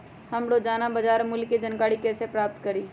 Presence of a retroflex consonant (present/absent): present